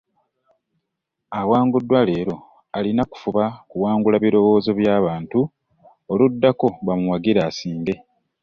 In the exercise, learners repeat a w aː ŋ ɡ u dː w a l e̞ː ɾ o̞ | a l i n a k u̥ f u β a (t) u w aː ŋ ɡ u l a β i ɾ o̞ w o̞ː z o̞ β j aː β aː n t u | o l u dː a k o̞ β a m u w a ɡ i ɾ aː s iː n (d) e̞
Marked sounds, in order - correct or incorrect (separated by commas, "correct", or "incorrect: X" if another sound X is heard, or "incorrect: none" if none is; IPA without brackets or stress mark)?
incorrect: k, correct